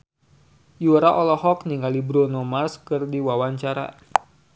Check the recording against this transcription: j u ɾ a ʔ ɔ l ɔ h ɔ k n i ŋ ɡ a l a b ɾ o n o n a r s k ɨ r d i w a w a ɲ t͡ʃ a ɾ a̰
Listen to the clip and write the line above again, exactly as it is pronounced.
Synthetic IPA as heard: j u ɾ a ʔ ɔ l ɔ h ɔ k n i ŋ ɡ a l i b ɾ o n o m a r s k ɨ r d i w a w a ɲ t͡ʃ a ɾ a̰